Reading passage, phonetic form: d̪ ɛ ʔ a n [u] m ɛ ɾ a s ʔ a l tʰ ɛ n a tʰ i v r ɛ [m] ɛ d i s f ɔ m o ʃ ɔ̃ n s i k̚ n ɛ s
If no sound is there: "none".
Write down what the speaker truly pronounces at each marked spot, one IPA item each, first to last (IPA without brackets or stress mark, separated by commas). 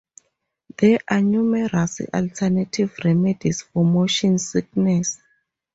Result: u, m